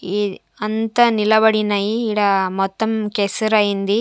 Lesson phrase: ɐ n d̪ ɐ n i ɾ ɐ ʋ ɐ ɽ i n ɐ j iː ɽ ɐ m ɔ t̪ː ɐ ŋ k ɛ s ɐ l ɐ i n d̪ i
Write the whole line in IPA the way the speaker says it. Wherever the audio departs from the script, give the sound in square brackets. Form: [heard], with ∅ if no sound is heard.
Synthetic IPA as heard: ɐ n [t̪] ɐ n i [l] ɐ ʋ ɐ ɽ i n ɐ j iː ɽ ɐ m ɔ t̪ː ɐ [m] k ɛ s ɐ [ɾ] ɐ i n d̪ i